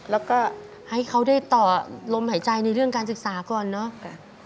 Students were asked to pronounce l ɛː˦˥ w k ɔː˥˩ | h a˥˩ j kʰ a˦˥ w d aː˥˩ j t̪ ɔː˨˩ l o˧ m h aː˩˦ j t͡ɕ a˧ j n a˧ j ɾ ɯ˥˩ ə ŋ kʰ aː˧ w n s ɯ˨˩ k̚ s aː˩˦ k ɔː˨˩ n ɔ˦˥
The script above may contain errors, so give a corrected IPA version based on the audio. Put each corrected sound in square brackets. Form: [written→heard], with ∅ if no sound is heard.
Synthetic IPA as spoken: l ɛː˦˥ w k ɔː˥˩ | h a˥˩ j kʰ a˦˥ w d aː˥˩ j t̪ ɔː˨˩ l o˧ m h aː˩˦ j t͡ɕ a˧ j n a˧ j ɾ ɯ˥˩ ə ŋ [kʰ→k] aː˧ [w→∅] n s ɯ˨˩ k̚ s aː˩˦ k ɔː˨˩ [n→nː] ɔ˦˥